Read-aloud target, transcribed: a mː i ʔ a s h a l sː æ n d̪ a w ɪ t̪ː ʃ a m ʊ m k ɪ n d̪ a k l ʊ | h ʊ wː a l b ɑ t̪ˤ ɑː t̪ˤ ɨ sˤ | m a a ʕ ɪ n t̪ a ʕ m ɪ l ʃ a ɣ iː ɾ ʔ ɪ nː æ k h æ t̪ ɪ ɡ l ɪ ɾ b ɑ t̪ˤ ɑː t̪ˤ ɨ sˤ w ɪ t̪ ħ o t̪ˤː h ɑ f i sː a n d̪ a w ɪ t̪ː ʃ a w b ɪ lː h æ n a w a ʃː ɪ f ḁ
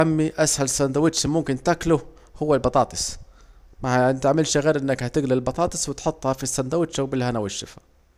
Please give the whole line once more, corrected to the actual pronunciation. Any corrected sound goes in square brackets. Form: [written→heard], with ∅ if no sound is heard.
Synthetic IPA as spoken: a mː i ʔ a s h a l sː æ n d̪ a w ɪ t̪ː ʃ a m ʊ m k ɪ n [d̪→t̪] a k l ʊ | h ʊ wː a l b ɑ t̪ˤ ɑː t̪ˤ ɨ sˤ | m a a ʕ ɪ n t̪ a ʕ m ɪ l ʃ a ɣ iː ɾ ʔ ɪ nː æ k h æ t̪ ɪ ɡ l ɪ [ɾ→l] b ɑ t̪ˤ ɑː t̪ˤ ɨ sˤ w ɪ t̪ ħ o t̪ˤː h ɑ f i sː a n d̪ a w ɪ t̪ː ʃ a w b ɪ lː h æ n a w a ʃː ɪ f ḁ